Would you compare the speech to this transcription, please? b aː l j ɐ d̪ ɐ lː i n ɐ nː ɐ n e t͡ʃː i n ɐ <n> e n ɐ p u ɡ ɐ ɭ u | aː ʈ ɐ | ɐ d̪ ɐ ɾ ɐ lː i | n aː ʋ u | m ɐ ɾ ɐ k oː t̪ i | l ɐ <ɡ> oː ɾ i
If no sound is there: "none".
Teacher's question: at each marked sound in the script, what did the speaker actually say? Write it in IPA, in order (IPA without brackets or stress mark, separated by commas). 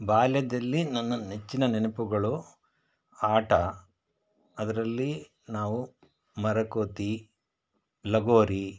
n, ɡ